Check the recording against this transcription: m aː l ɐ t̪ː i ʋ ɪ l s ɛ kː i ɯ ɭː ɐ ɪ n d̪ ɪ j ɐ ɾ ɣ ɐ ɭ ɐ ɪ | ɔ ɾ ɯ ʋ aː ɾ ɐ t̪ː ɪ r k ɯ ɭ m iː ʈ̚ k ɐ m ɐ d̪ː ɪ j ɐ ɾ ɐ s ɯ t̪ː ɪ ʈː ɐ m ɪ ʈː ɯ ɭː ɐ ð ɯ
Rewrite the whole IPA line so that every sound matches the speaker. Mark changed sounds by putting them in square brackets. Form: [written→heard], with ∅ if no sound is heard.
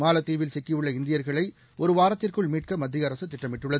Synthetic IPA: m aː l ɐ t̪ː [i→iː] ʋ ɪ l s ɛ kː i ɯ ɭː ɐ ɪ n d̪ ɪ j ɐ ɾ ɣ ɐ ɭ ɐ ɪ | ɔ ɾ ɯ ʋ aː ɾ ɐ t̪ː ɪ r k ɯ ɭ m iː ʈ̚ k ɐ m ɐ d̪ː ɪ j ɐ ɾ ɐ s ɯ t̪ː ɪ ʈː ɐ m ɪ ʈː ɯ ɭː ɐ ð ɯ

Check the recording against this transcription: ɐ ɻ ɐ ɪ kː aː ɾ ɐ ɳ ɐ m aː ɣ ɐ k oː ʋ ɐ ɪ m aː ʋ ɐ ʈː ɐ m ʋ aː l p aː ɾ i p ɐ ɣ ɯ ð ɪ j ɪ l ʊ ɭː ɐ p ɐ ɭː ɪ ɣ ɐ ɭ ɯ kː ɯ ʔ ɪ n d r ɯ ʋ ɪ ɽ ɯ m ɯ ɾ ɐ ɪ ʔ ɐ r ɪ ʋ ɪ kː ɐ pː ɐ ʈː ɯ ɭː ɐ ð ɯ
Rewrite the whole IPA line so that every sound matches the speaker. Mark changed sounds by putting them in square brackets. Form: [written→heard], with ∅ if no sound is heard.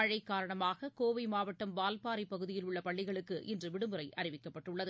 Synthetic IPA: ɐ ɻ ɐ ɪ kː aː ɾ ɐ ɳ ɐ m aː ɣ ɐ k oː ʋ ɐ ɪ m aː ʋ ɐ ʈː ɐ m ʋ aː l p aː ɾ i p ɐ ɣ ɯ ð ɪ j ɪ l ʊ ɭː ɐ p ɐ ɭː ɪ ɣ ɐ ɭ ɯ kː ɯ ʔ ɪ n d r ɯ ʋ ɪ ɽ ɯ m ɯ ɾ ɐ ɪ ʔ ɐ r ɪ ʋ ɪ kː ɐ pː ɐ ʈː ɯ ɭː ɐ ð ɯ

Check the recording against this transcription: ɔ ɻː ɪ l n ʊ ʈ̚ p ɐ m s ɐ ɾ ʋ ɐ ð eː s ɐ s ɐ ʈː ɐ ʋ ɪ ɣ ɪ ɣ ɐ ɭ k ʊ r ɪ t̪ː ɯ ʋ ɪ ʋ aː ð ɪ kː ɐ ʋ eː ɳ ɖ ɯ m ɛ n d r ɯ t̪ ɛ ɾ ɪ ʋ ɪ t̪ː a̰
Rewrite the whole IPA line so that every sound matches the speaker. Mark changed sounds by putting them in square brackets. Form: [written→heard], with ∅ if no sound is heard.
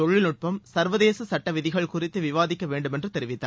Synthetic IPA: ɔ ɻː ɪ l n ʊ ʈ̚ p ɐ m s ɐ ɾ ʋ ɐ ð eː s ɐ s ɐ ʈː ɐ ʋ ɪ [ɣ→ð] ɪ ɣ ɐ ɭ k ʊ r ɪ t̪ː ɯ ʋ ɪ ʋ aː ð ɪ kː ɐ ʋ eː ɳ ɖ ɯ m ɛ n d r ɯ t̪ ɛ ɾ ɪ ʋ ɪ t̪ː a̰

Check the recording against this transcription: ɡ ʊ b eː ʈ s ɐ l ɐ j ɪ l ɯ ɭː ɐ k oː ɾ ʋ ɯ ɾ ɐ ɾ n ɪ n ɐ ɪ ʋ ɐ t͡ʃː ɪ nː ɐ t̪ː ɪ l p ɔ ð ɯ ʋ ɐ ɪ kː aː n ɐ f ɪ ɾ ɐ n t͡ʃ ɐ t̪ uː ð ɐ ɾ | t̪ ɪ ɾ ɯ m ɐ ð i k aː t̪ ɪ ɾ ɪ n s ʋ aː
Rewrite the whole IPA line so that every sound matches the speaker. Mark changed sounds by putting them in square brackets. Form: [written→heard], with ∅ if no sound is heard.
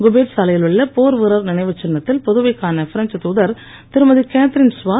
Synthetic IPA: ɡ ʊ b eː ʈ s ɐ l ɐ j ɪ l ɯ ɭː ɐ [k→p] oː ɾ ʋ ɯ ɾ ɐ ɾ n ɪ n ɐ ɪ ʋ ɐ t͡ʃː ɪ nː ɐ t̪ː ɪ l p ɔ ð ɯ ʋ ɐ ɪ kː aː n ɐ f ɪ ɾ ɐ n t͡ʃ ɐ t̪ uː ð ɐ ɾ | t̪ ɪ ɾ ɯ m ɐ ð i k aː t̪ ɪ ɾ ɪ n s ʋ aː

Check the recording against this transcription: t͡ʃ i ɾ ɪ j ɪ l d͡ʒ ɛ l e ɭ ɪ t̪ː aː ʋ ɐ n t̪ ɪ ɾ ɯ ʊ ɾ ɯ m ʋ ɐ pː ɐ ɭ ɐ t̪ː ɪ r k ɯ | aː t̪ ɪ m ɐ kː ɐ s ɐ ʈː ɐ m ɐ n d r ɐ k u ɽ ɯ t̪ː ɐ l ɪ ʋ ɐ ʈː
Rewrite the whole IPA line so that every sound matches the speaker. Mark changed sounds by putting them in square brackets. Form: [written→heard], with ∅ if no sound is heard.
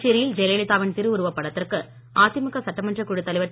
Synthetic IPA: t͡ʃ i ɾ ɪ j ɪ l d͡ʒ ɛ l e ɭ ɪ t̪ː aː ʋ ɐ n t̪ ɪ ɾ ɯ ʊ ɾ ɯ [m→∅] ʋ ɐ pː ɐ [ɭ→ɽ] ɐ t̪ː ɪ r k ɯ | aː t̪ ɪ m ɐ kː ɐ s ɐ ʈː ɐ m ɐ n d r ɐ k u ɽ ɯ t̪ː ɐ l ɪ ʋ ɐ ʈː

